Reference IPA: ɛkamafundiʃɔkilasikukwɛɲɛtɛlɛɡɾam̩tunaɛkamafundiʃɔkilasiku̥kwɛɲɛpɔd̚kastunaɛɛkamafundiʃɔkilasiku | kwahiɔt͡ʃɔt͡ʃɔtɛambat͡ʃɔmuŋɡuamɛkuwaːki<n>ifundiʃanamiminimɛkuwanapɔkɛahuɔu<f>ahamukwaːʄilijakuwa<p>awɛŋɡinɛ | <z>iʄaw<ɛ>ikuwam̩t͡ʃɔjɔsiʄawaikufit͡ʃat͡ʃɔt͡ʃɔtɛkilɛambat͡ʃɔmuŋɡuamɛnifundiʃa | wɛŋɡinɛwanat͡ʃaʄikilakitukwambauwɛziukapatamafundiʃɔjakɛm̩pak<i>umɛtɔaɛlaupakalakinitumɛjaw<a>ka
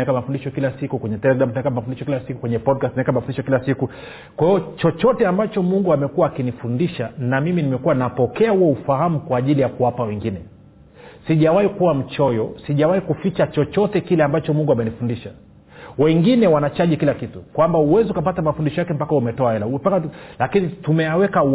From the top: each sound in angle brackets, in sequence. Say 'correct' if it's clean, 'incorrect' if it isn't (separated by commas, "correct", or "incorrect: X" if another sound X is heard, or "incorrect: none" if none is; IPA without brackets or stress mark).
correct, correct, correct, incorrect: s, incorrect: a, incorrect: a, incorrect: ɛ